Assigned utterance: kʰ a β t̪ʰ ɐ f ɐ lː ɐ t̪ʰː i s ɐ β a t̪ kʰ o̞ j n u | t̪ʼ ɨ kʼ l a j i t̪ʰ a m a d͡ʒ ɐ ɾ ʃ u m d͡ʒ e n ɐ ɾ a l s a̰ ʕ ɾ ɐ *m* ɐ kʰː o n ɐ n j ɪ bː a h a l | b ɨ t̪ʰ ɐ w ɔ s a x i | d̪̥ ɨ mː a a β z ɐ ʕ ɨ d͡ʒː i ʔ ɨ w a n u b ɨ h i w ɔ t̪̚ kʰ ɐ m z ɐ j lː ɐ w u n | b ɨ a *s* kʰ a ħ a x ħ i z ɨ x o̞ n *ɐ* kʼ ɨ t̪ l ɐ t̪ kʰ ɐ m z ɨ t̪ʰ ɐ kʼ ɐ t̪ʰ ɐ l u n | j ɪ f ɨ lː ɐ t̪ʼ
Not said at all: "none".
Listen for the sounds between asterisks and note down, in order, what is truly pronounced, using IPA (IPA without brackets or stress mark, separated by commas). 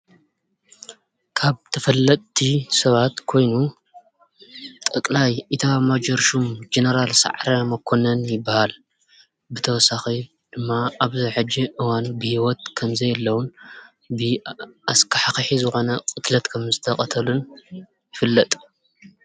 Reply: m, s, ɐ